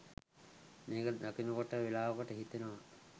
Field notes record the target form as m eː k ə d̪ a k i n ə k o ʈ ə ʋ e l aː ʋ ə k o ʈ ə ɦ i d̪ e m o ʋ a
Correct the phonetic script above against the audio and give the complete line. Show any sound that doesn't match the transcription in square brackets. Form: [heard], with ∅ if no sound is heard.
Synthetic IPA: m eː k ə d̪ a k i n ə k o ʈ ə ʋ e l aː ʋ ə k o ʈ ə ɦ i [t̪] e [n] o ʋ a